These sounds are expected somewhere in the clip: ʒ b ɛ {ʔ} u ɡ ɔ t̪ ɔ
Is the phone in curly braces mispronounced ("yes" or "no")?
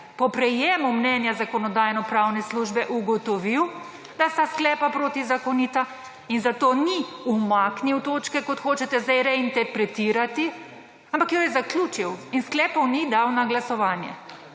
no